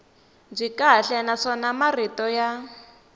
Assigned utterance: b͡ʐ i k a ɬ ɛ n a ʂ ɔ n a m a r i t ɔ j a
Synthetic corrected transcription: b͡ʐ i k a ɬ ɛ n a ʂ ɔ n a m a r i t ɔ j a